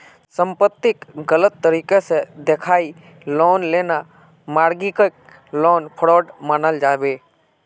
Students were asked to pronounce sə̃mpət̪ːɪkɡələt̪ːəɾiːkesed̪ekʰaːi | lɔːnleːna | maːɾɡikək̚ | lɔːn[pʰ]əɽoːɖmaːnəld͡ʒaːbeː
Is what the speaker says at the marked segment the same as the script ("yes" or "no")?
yes